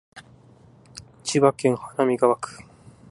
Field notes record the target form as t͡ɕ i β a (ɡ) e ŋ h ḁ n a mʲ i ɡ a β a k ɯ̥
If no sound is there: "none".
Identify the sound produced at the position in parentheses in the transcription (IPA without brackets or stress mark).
k